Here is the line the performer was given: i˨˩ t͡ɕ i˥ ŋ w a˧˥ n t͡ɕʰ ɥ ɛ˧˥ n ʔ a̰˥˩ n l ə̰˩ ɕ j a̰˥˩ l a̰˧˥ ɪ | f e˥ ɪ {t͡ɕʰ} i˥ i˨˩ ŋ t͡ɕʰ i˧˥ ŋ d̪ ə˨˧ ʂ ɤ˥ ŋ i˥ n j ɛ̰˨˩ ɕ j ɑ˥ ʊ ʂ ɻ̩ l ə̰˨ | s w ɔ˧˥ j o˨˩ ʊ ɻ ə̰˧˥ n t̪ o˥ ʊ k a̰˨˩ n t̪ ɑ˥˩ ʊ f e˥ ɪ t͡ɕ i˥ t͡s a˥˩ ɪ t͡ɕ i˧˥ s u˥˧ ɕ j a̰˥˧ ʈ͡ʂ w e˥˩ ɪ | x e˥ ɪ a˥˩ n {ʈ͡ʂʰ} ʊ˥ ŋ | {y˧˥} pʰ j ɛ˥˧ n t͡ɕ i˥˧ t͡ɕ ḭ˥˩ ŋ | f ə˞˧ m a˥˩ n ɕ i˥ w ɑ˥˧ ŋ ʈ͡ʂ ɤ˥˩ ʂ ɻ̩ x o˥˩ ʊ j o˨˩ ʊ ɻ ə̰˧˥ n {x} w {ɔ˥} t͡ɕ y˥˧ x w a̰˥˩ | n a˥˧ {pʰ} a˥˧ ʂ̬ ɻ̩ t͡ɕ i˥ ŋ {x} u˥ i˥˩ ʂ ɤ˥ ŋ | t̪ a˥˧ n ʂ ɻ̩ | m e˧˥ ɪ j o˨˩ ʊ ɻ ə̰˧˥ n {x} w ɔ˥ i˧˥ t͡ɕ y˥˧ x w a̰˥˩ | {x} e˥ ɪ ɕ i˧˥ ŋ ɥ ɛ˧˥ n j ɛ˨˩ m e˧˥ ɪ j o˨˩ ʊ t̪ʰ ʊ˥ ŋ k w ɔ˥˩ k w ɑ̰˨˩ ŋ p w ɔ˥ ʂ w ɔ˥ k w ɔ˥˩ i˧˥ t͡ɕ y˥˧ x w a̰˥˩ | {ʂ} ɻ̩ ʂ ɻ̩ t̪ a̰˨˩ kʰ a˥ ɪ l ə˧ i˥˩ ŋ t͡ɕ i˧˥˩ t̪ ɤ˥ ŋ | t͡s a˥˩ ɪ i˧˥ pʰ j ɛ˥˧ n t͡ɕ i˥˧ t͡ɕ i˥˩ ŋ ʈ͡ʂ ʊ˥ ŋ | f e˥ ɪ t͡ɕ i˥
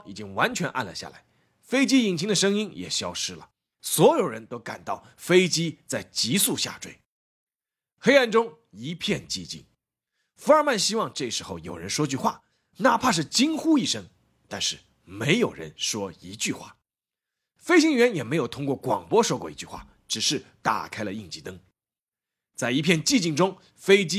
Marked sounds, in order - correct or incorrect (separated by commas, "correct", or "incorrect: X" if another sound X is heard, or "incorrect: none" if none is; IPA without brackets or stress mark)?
incorrect: t͡ɕ, incorrect: ʈ͡ʂ, incorrect: i˧˥, incorrect: ʂ, correct, correct, correct, incorrect: ʂ, incorrect: f, incorrect: ʈ͡ʂ